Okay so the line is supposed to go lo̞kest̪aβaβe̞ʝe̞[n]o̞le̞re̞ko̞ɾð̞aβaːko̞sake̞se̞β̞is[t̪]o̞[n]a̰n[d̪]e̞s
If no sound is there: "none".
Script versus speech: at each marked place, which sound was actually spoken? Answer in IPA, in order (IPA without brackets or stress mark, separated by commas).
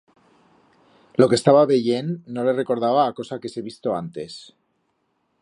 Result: nː, t̪, none, t̪